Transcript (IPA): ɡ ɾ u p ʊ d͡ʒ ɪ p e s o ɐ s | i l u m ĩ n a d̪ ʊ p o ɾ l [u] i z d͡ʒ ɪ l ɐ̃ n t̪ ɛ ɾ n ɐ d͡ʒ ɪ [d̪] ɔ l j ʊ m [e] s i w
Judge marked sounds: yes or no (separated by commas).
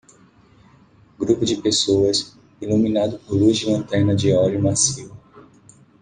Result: yes, no, no